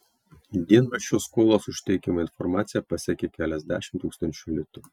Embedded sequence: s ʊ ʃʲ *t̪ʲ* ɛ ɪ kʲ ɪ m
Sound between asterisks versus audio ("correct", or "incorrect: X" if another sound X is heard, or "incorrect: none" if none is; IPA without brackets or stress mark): correct